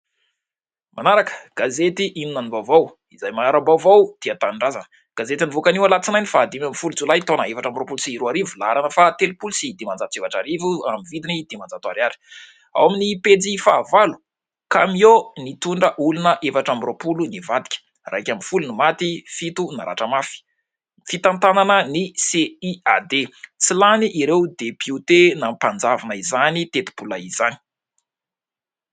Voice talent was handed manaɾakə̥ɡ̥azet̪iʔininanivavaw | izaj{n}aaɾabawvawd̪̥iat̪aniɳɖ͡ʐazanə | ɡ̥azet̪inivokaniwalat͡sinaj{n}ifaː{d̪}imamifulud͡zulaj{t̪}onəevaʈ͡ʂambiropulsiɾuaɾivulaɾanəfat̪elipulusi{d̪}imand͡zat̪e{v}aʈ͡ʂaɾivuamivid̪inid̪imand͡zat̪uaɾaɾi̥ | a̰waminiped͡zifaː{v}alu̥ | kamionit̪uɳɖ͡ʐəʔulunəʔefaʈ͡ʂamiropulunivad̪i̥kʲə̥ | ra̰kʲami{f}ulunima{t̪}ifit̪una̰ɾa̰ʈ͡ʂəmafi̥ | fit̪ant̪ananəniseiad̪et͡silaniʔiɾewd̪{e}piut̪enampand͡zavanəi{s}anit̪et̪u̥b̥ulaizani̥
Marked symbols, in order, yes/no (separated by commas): no, yes, yes, yes, yes, yes, yes, yes, yes, yes, no